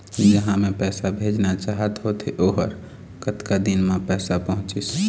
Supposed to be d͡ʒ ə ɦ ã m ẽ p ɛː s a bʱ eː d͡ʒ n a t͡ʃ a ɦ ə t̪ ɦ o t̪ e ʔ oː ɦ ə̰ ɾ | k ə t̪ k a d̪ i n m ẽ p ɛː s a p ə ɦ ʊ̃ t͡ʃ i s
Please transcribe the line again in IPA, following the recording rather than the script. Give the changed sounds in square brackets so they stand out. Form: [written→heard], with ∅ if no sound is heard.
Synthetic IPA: d͡ʒ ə ɦ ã m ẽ p ɛː s a bʱ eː d͡ʒ n a t͡ʃ a ɦ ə t̪ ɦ o t̪ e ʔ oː ɦ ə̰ ɾ | k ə t̪ k a d̪ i n m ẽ p ɛː s a p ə ɦ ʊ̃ t͡ʃ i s